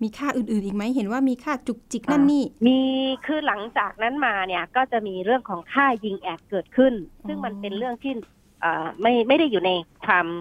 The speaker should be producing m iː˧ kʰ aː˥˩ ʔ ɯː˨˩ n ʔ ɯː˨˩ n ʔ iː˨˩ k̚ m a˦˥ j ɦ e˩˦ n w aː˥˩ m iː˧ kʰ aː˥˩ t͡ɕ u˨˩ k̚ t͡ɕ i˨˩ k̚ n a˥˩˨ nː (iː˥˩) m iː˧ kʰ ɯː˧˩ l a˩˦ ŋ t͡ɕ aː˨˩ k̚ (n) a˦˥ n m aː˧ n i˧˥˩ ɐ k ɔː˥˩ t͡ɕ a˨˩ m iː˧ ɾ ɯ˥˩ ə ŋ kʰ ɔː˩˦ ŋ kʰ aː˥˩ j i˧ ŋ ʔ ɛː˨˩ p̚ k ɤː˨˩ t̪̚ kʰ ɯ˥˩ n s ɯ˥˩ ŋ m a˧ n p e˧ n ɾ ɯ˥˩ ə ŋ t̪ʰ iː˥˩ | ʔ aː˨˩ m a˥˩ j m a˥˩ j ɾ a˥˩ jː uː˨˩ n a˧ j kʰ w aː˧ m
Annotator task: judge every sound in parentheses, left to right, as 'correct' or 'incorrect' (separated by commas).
correct, correct